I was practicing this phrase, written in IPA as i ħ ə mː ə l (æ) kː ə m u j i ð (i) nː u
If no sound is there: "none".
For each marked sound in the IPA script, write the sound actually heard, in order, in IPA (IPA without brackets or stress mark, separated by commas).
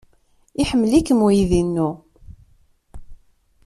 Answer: i, i